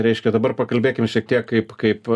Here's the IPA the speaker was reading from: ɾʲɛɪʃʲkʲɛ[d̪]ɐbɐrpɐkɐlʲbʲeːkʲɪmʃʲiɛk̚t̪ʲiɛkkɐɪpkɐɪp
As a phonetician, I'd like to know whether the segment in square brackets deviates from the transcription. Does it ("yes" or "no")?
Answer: no